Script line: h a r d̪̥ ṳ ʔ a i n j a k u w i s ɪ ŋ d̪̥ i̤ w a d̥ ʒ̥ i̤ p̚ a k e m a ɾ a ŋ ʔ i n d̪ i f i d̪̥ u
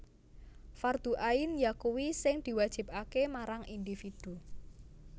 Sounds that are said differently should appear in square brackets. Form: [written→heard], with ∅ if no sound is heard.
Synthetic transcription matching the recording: [h→f] a r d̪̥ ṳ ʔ a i n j a k u w i s ɪ ŋ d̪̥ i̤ w a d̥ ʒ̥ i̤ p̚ a k e m a ɾ a ŋ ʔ i n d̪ i f i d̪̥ u

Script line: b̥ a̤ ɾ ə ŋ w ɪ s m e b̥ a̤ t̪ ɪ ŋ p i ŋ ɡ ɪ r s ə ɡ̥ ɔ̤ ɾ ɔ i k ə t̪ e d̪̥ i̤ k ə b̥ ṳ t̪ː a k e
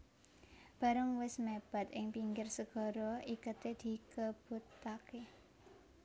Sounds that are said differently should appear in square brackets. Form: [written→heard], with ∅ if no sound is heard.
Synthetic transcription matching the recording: b̥ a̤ ɾ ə ŋ w ɪ s m e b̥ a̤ t̪ ɪ ŋ p i ŋ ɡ ɪ r s ə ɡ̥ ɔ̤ ɾ ɔ i k ə t̪ e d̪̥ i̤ k ə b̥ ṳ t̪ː a k e

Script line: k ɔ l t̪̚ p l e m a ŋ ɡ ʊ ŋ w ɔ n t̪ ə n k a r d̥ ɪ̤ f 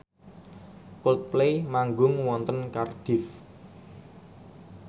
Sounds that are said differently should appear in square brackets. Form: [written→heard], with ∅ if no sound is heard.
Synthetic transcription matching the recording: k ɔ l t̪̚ p l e m a ŋ ɡ ʊ ŋ w ɔ n t̪ ə n k a r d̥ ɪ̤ f

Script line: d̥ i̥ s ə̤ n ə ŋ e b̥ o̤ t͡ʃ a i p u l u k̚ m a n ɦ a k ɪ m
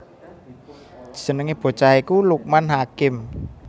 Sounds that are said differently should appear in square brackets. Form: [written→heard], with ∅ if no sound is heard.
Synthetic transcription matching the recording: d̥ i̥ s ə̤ n ə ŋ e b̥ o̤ t͡ʃ a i [p→k] u l u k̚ m a n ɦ a k ɪ m

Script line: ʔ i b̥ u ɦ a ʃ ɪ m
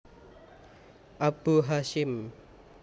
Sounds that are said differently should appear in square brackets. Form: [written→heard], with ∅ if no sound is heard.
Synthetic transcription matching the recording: ʔ [i→a] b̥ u ɦ a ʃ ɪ m

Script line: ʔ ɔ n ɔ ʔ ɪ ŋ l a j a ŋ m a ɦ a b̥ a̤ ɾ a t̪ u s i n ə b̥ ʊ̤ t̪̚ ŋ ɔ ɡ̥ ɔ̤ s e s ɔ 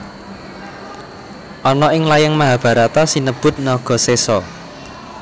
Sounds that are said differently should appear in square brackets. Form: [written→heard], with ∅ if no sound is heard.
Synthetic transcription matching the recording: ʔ ɔ n ɔ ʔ ɪ ŋ l a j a ŋ m a ɦ a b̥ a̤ ɾ a t̪ [u→ɔ] s i n ə b̥ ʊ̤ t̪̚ [ŋ→n] ɔ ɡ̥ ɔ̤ s e s ɔ

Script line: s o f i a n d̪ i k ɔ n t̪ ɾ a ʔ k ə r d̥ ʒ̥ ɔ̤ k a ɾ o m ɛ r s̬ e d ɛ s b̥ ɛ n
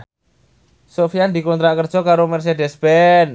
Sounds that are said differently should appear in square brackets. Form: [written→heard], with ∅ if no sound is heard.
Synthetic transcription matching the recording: s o f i a n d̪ i k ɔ n t̪ ɾ a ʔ k ə r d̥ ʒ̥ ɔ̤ k a ɾ o m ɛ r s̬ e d ɛ s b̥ ɛ n

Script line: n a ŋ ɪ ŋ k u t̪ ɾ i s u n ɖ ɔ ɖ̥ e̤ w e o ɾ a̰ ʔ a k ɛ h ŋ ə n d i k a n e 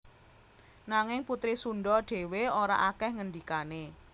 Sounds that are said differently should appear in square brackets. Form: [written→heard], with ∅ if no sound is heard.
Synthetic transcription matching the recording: n a ŋ ɪ ŋ [k→p] u t̪ ɾ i s u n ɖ ɔ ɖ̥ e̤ w e o ɾ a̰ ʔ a k ɛ h ŋ ə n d i k a n e

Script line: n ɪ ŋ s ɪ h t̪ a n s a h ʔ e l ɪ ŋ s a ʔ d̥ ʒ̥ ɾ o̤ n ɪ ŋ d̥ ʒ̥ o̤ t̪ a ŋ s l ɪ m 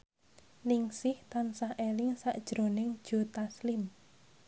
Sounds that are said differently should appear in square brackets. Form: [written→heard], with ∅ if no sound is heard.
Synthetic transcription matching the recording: n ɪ ŋ s ɪ h t̪ a n s a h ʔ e l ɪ ŋ s a ʔ d̥ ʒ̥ ɾ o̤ n ɪ ŋ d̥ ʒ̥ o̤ t̪ a [ŋ→∅] s l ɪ m

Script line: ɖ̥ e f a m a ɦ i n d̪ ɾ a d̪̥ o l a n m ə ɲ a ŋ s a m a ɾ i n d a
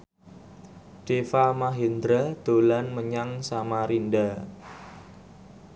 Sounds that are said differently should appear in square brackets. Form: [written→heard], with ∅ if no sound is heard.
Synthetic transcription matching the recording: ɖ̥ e f a m a ɦ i n d̪ ɾ a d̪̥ o l a n m ə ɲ a ŋ s a m a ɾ i n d a

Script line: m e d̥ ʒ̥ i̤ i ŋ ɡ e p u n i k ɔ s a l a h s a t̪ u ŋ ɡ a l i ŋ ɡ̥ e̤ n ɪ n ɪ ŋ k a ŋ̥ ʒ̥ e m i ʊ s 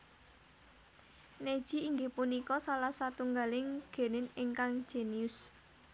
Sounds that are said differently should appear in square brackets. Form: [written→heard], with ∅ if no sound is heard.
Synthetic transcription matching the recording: [m→n] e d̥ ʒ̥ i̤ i ŋ ɡ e p u n i k ɔ s a l a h s a t̪ u ŋ ɡ a l [i→ɪ] ŋ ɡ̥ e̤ n ɪ n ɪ ŋ k a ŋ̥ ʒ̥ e [m→n] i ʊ s

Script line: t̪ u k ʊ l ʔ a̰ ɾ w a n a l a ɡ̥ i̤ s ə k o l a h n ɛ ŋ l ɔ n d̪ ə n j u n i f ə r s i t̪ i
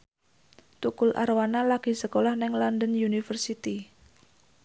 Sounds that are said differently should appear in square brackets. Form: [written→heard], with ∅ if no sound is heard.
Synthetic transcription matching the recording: t̪ u k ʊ l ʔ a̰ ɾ w a n a l a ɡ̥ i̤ s ə k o l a h n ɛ ŋ l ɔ n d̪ ə n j u n i f ə r s i t̪ i

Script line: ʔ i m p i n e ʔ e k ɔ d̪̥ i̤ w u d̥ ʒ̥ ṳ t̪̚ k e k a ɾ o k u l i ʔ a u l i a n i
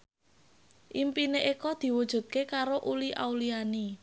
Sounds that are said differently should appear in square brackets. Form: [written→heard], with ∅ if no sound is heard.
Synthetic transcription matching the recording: ʔ i m p i n e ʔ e k ɔ d̪̥ i̤ w u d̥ ʒ̥ ṳ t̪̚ k e k a ɾ o [k→ʔ] u l i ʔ a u l i a n i

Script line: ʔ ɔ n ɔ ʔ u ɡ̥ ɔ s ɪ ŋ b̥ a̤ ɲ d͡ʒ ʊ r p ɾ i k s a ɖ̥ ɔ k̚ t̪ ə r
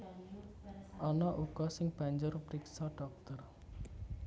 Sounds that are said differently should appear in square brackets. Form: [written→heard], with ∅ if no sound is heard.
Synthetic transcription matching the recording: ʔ ɔ n ɔ ʔ u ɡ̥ ɔ s ɪ ŋ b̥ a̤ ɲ d͡ʒ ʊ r p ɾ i k s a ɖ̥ ɔ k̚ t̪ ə r

